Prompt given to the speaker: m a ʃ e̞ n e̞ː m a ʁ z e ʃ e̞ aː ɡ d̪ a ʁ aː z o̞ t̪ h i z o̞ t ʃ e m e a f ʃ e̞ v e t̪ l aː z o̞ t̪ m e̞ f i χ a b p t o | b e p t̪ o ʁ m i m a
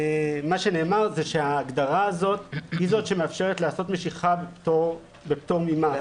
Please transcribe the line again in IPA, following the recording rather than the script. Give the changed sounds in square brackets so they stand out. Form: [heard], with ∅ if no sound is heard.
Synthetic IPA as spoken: m a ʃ e̞ n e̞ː m a ʁ z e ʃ e̞ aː ɡ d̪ a ʁ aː z o̞ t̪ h i z o̞ t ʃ e m e a f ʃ e̞ [ʁ] e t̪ l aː [s] o̞ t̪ m e̞ [ʃ] i χ a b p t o | b e p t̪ o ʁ m i m a

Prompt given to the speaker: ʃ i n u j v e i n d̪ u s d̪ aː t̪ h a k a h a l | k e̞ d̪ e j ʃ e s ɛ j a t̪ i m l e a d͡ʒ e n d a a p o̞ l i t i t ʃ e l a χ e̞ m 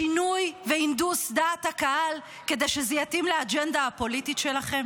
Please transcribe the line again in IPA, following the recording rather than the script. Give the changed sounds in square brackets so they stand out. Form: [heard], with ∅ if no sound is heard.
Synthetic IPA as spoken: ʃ i n u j v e i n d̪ u s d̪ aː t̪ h a k a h a l | k e̞ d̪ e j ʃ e [z] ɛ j a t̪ i m l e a d͡ʒ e n d a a p o̞ l i t i t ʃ e l a χ e̞ m

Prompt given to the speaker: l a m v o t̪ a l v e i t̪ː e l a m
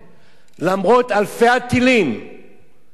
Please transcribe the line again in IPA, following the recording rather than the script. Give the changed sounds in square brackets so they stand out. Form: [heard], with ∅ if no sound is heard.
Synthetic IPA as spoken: l a m [ʁ] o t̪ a l [f] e [a] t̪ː [i] l [i] m

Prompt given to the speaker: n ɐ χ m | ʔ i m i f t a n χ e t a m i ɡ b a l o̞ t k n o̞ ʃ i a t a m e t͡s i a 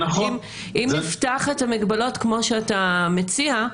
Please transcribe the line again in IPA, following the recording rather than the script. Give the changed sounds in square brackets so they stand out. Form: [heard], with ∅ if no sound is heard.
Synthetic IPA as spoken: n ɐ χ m | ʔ i m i f t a [∅] χ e t a m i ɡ b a l o̞ t k [m] o̞ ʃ [e] a t a m e t͡s i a

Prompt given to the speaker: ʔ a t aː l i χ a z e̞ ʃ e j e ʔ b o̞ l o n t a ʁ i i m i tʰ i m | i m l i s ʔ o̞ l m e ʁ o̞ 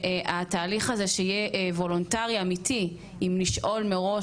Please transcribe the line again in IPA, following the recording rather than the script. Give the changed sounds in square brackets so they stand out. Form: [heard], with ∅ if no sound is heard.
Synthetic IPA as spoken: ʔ a t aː l i χ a z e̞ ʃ e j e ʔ [v] o̞ l o n t a ʁ i [a] m i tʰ i [∅] | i m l i [ʃ] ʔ o̞ l m e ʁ o̞

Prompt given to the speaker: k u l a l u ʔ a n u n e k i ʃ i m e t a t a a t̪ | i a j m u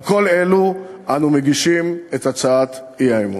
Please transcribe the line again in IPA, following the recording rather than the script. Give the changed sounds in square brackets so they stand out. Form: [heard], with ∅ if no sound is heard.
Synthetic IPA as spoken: k [o] l [e] l u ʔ a n u [m] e [ɡ] i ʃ i m e t a [t͡s] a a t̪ | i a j m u

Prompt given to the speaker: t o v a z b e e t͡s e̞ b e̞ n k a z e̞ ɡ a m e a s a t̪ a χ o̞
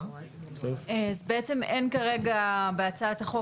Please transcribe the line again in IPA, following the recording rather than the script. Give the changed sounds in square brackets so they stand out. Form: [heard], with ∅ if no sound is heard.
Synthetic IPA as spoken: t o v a z b e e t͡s e̞ [m] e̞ n k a [ʁ] e̞ ɡ a [b] e a [t͡s] a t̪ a χ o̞

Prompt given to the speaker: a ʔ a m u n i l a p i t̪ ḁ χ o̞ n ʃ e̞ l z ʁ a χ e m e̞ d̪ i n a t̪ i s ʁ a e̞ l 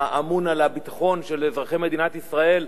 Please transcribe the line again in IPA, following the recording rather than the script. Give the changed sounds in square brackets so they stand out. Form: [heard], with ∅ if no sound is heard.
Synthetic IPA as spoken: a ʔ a m u n [a] l a [b] i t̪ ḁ χ o̞ n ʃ e̞ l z ʁ a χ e m e̞ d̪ i n a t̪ i s ʁ a e̞ l

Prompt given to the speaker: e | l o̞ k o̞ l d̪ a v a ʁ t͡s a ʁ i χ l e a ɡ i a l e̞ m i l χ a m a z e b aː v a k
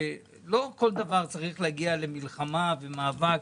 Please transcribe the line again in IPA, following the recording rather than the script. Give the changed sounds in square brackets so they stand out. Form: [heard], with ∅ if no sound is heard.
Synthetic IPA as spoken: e | l o̞ k o̞ l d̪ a v a ʁ t͡s a ʁ i χ l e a ɡ i a l e̞ m i l χ a m a [v] e [m] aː v a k

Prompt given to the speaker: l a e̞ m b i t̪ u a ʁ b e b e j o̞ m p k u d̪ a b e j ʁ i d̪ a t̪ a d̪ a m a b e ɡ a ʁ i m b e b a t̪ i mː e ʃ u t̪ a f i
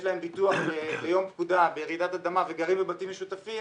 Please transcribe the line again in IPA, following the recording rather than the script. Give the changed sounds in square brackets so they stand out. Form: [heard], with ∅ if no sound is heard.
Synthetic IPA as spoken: l a e̞ m b i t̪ u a [χ] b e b e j o̞ m p k u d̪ a b e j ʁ i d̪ a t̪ a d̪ a m a [v] e ɡ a ʁ i m b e b a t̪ i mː e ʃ u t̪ a f i

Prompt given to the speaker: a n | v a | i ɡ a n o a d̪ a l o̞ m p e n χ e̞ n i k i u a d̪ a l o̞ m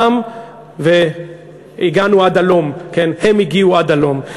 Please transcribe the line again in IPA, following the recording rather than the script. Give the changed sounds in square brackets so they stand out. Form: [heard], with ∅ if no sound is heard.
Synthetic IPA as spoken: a [m] | v [e] | i ɡ a n [u] a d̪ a l o̞ m [k] e n [h] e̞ [m] i [ɡ] i u a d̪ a l o̞ m

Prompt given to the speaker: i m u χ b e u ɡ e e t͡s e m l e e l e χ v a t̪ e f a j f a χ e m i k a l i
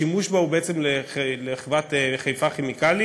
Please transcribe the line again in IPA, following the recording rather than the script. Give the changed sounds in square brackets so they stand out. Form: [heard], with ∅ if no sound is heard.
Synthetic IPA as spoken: i m u [ʃ] b [a] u [b] e e t͡s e m l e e l e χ v a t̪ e [χ] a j f a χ e m i k a l i

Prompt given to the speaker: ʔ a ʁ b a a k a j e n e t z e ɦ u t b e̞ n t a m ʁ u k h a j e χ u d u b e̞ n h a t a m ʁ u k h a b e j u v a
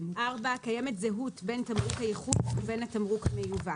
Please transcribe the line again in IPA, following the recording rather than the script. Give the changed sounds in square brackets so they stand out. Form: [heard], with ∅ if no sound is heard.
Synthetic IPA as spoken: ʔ a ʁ b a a k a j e [m] e t z e ɦ u t b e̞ n t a m ʁ u k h a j e χ u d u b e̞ n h a t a m ʁ u k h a [m] e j u v a

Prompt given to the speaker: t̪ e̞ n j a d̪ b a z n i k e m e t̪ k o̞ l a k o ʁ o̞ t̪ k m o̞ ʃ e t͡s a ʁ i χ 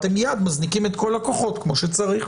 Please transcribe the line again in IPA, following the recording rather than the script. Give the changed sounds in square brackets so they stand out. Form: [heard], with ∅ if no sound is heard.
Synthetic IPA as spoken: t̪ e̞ [m] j a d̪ [m] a z n i k [i] m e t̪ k o̞ l a k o [χ] o̞ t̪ k m o̞ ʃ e t͡s a ʁ i χ

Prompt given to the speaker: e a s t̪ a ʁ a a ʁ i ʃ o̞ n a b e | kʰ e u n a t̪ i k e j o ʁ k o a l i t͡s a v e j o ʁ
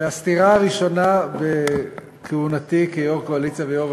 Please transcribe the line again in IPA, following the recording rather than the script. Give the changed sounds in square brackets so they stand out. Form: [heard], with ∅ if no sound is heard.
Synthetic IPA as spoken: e a s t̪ [i] ʁ a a ʁ i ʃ o̞ n a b e | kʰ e u n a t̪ i k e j o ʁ k o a l i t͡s a v e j o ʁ

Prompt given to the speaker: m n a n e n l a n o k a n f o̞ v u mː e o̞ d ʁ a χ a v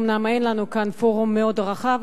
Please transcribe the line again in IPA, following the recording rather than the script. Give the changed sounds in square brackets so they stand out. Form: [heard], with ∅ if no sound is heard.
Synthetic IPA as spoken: m n a [m] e n l a n [u] k a n f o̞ [ʁ] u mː e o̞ d ʁ a χ a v

